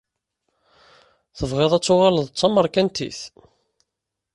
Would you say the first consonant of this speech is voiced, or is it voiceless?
voiceless